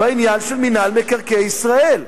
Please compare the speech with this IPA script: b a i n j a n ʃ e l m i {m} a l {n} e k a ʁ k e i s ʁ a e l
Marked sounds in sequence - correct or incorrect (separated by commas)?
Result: incorrect, incorrect